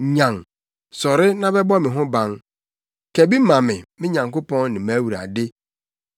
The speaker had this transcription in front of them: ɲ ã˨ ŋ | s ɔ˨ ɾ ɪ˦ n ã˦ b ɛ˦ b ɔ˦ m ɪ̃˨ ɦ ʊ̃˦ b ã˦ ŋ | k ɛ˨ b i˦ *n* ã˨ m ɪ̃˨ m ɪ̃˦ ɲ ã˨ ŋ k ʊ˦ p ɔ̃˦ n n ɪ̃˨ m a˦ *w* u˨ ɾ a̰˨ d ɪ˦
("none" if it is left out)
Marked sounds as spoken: m, w

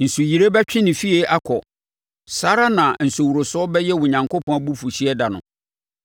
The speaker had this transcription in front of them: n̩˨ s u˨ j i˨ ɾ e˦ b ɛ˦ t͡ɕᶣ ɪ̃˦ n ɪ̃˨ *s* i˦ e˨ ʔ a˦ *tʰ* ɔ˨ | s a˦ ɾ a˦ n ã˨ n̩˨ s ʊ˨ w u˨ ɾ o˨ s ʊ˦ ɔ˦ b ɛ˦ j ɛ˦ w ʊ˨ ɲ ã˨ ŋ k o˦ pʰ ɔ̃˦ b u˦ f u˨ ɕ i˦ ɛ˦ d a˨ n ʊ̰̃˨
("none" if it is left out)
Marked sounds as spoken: f, kʰ

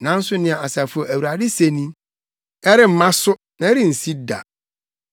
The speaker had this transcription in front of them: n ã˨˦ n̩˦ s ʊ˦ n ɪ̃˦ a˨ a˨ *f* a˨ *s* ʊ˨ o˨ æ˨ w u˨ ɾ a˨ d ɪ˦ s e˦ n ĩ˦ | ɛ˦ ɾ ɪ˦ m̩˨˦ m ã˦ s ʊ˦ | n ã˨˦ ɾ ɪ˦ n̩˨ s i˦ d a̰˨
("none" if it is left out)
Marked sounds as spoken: s, f

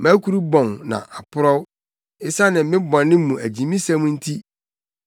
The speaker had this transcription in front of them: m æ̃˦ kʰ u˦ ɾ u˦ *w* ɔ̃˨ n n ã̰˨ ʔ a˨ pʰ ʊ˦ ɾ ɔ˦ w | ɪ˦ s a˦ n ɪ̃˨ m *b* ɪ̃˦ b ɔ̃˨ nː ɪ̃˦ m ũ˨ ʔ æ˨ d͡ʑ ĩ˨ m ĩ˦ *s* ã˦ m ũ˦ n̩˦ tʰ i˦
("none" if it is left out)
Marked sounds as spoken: b, m, s

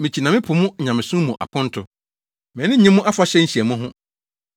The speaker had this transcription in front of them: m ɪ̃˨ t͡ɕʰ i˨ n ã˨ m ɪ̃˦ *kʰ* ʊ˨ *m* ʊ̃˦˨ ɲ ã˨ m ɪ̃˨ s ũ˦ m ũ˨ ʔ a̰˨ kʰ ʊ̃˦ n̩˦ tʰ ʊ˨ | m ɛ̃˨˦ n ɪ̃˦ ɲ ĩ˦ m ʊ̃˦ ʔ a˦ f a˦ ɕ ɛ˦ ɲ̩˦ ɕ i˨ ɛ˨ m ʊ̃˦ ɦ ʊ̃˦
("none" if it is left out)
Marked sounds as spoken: pʰ, m

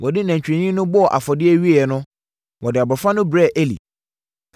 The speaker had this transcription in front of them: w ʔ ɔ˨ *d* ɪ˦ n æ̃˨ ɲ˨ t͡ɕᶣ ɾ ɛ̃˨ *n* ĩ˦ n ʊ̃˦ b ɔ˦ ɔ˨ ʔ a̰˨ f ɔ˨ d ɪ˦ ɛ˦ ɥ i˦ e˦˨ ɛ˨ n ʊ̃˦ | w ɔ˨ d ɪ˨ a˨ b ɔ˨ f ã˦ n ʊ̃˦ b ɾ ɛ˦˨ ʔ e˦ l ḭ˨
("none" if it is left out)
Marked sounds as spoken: d, ɲ

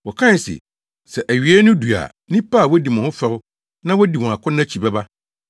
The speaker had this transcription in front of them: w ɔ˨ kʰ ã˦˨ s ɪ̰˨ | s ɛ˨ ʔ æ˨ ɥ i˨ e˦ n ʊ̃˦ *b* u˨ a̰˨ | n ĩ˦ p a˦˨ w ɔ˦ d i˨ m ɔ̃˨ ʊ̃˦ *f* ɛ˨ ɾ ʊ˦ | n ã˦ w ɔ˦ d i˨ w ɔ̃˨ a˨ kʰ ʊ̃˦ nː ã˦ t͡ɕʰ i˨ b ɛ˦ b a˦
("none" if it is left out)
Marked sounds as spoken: d, f

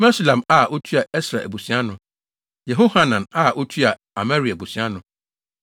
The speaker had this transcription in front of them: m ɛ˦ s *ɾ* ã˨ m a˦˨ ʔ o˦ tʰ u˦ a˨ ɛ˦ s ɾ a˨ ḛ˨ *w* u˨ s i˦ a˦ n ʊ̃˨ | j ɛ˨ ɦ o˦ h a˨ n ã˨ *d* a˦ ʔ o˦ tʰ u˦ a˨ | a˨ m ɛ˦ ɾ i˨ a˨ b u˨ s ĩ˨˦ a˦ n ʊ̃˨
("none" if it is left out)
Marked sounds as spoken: l, b, n

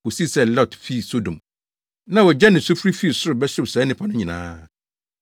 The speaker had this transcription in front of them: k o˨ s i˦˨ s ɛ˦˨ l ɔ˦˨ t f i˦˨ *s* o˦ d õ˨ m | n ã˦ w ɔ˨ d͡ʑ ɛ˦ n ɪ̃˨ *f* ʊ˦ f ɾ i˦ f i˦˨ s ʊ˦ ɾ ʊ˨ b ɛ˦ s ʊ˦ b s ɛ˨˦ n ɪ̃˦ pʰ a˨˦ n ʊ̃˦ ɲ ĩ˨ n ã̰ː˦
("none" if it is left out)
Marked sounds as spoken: s, s

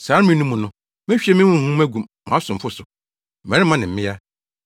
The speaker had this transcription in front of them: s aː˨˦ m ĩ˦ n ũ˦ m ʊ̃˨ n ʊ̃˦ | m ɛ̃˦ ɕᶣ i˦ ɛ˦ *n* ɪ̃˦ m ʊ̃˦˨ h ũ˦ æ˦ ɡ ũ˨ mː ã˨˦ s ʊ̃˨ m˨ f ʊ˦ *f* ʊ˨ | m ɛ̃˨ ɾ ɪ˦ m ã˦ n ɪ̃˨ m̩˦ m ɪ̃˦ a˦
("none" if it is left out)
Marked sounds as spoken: m, s

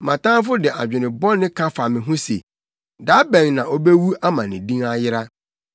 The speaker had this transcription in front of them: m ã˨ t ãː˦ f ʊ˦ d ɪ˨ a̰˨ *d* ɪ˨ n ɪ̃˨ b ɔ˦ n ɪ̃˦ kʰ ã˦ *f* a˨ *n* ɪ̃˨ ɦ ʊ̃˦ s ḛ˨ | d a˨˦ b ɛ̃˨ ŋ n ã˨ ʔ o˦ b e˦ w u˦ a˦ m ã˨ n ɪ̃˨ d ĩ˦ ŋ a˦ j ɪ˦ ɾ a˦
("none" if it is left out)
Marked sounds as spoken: d͡ʑᶣ, f, m

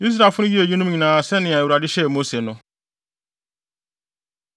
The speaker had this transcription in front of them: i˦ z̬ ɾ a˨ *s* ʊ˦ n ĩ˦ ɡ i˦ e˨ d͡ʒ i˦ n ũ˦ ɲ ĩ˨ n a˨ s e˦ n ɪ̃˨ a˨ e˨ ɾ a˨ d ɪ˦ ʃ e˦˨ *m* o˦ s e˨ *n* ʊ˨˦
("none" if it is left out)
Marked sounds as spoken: f, m, n

